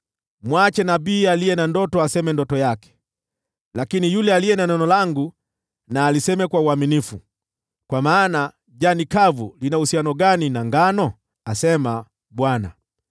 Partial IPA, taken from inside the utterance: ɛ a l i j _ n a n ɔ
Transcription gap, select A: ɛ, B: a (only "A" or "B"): A